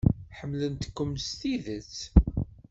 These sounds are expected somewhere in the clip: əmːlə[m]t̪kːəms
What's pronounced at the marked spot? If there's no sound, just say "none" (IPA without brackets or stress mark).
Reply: n